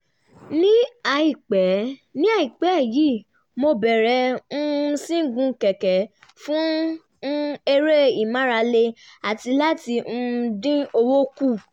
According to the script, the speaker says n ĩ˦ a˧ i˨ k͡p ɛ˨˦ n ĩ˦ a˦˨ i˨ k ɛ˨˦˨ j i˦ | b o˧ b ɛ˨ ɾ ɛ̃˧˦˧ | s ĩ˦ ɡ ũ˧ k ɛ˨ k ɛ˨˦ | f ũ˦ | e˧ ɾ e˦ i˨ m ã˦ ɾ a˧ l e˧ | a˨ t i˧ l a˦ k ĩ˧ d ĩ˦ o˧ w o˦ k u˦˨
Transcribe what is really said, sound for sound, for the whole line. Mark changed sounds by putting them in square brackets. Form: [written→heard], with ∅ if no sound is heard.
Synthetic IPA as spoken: n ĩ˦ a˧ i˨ k͡p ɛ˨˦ n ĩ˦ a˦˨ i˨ [k→k͡p] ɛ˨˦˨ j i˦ | [b→m] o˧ b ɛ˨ ɾ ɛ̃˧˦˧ | s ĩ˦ ɡ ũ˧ k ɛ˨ k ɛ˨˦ | f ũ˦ | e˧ ɾ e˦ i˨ m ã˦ ɾ a˧ l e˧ | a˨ t i˧ l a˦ [k→t] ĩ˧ d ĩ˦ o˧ w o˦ k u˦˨